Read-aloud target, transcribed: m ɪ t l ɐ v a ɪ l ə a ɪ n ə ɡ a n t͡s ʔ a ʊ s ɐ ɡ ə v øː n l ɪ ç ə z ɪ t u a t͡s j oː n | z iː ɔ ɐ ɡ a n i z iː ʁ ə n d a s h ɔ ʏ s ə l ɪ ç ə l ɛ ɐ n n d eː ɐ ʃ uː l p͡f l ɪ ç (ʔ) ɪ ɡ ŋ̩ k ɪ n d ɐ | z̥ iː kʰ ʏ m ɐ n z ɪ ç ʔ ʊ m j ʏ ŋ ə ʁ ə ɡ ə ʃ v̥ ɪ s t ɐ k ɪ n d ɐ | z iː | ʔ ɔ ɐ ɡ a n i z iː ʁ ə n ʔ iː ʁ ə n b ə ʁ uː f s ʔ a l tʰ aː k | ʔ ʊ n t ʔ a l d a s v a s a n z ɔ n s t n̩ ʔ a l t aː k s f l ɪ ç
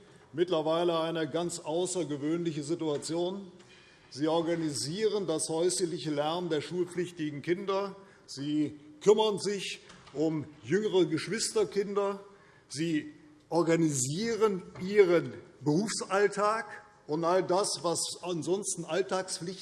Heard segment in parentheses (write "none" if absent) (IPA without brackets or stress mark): t